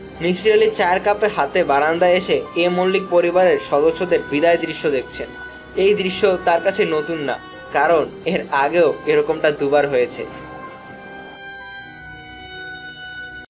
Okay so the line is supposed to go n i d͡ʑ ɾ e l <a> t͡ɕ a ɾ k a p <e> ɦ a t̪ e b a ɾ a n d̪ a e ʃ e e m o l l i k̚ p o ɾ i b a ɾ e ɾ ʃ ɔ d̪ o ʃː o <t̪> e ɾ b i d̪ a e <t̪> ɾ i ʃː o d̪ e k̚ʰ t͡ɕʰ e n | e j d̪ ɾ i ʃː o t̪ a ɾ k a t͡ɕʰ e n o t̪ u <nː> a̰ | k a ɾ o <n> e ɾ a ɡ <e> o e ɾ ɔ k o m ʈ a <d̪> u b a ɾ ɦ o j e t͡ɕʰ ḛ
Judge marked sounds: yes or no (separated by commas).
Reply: no, yes, no, no, yes, yes, yes, yes